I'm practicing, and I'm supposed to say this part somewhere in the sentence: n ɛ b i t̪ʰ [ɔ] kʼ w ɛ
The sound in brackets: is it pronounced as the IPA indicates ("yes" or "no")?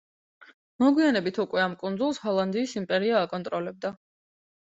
no